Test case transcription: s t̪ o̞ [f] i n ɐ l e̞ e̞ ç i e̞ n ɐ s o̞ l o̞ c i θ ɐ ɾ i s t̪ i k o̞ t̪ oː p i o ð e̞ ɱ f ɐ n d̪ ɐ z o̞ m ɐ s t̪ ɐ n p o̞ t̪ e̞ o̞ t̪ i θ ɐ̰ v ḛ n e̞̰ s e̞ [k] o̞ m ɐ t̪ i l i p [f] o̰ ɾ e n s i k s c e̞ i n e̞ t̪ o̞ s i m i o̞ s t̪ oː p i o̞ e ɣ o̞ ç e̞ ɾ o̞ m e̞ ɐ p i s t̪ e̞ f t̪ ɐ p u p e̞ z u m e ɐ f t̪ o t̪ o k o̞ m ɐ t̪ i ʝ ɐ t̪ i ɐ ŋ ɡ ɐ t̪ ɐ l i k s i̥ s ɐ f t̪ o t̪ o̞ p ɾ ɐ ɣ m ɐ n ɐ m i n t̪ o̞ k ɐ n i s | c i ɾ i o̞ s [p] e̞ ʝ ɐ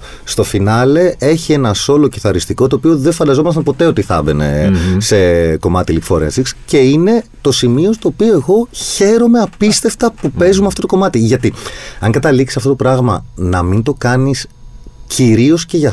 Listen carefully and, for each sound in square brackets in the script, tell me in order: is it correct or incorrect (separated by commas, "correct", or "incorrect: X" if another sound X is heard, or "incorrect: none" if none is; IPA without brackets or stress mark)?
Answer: correct, correct, correct, incorrect: c